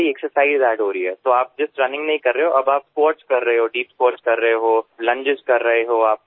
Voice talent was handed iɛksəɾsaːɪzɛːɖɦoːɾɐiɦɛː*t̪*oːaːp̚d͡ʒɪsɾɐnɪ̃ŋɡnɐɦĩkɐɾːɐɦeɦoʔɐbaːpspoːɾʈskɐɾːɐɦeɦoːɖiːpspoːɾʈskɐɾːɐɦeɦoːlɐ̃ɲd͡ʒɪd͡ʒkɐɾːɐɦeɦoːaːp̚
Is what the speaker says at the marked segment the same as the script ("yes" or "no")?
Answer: yes